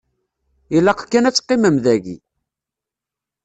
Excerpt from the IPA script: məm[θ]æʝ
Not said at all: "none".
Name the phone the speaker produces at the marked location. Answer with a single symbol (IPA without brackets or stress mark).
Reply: ð